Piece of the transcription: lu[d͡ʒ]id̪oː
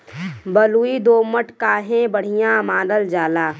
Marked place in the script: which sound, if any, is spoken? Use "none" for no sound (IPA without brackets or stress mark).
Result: none